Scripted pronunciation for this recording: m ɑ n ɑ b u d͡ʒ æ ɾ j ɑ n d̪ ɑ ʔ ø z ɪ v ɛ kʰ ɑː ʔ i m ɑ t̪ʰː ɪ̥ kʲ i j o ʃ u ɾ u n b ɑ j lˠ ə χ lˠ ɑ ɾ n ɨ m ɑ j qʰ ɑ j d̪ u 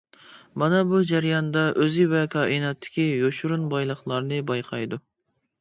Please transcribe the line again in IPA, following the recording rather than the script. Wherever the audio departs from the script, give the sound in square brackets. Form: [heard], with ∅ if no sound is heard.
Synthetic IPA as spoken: m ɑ n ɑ b u d͡ʒ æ ɾ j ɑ n d̪ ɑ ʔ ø z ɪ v ɛ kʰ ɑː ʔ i [n] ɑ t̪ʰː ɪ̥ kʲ i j o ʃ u ɾ u n b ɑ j lˠ ə χ lˠ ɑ ɾ n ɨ [b] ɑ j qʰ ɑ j d̪ u